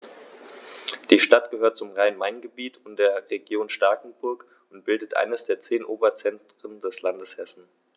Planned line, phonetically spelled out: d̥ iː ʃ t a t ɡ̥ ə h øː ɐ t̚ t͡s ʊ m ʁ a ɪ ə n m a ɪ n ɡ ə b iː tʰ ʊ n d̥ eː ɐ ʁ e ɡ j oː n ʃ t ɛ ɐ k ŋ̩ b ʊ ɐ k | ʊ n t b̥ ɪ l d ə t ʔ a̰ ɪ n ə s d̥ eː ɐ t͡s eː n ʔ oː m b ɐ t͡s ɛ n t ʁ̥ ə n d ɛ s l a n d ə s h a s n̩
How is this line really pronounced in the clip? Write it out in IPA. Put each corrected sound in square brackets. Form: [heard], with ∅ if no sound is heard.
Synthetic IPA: d̥ iː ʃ t a t ɡ̥ ə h øː ɐ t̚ t͡s ʊ m ʁ a ɪ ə n m a ɪ n ɡ ə b iː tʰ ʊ n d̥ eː ɐ ʁ e ɡ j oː n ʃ t [a] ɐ k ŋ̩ b ʊ ɐ k | ʊ n t b̥ ɪ l d ə t ʔ a̰ ɪ n ə s d̥ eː ɐ t͡s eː n ʔ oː [∅] b ɐ t͡s ɛ n t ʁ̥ ə n d ɛ s l a n d ə s h [ɛ] s n̩